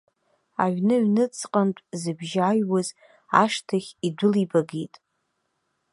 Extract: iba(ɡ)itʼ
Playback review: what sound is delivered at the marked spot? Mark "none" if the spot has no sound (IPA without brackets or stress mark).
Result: ɡ